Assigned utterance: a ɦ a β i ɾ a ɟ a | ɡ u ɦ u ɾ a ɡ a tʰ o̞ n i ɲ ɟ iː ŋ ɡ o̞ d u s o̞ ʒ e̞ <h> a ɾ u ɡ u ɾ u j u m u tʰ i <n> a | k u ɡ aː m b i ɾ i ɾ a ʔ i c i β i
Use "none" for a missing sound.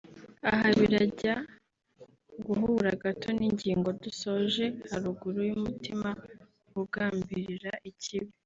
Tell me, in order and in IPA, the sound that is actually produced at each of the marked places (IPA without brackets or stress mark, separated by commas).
h, m